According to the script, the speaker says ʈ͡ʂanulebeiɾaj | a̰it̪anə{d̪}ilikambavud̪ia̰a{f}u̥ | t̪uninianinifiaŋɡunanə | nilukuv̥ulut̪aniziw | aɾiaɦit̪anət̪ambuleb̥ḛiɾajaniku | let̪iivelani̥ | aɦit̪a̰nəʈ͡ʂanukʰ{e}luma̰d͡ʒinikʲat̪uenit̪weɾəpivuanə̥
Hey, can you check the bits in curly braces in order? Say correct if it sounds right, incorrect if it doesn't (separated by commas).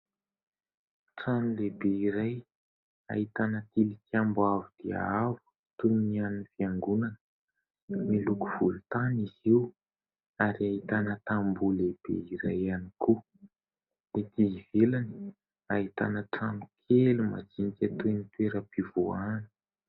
incorrect, incorrect, correct